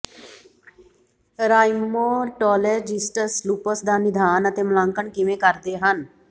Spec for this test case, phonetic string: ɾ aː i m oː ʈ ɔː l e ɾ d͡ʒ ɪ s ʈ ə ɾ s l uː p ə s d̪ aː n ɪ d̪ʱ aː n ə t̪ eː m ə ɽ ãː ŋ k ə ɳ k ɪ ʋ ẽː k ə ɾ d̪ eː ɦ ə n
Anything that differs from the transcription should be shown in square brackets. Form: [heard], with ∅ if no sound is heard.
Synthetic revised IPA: ɾ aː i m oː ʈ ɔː l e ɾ d͡ʒ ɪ s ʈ ə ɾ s l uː p ə s d̪ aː n ɪ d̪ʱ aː n ə t̪ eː m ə [l] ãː ŋ k ə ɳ k ɪ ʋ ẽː k ə ɾ d̪ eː ɦ ə n